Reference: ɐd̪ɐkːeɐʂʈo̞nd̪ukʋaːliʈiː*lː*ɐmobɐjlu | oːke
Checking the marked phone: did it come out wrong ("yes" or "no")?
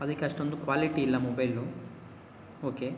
no